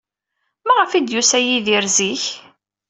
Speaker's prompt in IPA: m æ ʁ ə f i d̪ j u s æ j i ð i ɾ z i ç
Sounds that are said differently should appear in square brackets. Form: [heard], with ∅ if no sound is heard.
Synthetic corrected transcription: m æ ʁ ə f i d̪ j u s æ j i ð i ɾ z i ç